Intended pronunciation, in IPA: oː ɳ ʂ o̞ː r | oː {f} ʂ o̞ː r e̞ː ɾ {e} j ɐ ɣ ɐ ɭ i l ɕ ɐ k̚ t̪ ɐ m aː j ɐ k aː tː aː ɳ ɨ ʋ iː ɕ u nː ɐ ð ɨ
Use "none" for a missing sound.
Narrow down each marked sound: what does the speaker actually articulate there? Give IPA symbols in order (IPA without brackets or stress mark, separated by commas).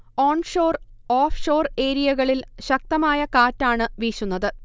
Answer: f, i